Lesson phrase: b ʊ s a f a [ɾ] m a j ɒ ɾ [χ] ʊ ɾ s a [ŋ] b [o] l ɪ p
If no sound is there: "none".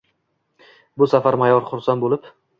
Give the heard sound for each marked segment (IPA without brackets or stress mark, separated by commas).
ɾ, χ, n, o